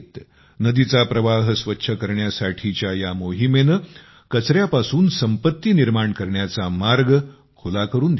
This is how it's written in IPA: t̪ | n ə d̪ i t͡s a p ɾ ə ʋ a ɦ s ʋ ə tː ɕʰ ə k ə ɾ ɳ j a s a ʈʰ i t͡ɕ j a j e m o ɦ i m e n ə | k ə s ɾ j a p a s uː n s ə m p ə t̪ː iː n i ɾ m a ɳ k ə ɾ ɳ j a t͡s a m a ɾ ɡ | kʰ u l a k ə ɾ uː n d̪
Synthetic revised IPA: t̪ | n ə d̪ i t͡s a p ɾ ə ʋ a ɦ s ʋ ə tː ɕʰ ə k ə ɾ ɳ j a s a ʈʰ i t͡ɕ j a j a m o ɦ i m e n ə | k ə t͡s ɾ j a p a s uː n s ə m p ə t̪ː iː n i ɾ m a ɳ k ə ɾ ɳ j a t͡s a m a ɾ ɡ | kʰ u l a k ə ɾ uː n d̪